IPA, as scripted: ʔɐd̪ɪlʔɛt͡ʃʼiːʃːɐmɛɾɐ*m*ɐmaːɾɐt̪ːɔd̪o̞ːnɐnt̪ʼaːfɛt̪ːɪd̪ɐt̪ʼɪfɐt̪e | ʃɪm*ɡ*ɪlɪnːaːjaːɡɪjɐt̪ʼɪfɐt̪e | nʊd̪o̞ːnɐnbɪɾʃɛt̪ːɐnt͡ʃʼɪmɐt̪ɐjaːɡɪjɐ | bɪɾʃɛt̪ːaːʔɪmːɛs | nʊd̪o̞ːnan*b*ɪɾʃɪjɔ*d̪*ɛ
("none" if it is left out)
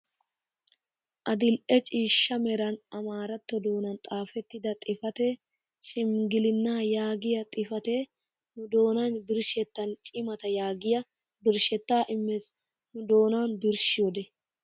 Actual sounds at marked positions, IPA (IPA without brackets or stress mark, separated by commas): n, ɡ, b, d̪